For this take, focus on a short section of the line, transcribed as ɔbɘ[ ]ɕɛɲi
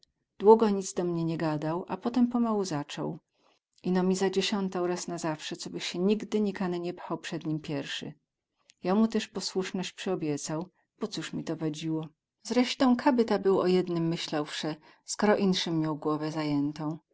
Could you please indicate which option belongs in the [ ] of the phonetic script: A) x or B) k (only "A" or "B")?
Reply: A